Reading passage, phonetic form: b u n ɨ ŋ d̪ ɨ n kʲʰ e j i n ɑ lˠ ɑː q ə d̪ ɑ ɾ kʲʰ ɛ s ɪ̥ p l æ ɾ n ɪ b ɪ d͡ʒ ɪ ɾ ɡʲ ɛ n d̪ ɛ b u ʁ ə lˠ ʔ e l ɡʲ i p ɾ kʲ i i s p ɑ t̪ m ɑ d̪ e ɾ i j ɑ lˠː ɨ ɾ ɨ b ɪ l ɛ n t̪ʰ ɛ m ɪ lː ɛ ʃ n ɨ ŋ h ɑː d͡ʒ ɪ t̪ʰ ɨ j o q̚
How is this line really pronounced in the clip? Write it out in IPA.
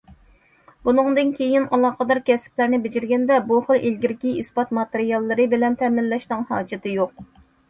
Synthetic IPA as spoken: b u n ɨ ŋ d̪ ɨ n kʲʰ e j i n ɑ lˠ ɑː q ə d̪ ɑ ɾ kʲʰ ɛ s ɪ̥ p l æ ɾ n ɪ b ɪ d͡ʒ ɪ ɾ ɡʲ ɛ n d̪ ɛ b u χ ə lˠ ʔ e l ɡʲ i ɾ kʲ i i s p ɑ t̪ m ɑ t̪ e ɾ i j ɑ lˠː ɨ ɾ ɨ b ɪ l ɛ n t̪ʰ ɛ m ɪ lː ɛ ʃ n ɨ ŋ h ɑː d͡ʒ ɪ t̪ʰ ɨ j o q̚